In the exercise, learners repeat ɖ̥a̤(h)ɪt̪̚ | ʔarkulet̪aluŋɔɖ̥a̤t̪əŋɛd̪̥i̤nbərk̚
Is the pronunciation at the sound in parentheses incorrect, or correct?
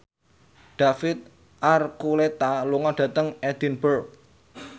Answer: incorrect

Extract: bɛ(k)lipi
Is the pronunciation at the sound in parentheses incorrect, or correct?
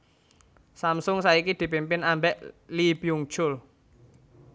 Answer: incorrect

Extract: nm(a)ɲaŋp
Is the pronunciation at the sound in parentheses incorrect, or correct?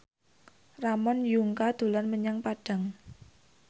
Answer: incorrect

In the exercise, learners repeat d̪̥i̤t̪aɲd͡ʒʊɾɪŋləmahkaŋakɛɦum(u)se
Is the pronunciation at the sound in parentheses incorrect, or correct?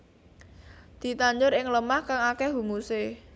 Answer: correct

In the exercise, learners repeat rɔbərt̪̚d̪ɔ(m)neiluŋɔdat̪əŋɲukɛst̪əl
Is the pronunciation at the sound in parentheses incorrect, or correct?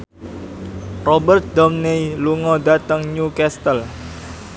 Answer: correct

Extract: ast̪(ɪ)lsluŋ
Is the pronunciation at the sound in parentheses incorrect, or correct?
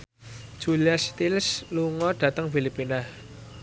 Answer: incorrect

